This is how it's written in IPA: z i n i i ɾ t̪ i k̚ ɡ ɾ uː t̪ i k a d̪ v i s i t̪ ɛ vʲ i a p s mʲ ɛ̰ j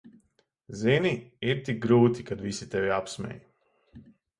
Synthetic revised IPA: z i n i i ɾ t̪ i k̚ ɡ ɾ uː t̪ i k a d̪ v i s i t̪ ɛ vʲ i a p s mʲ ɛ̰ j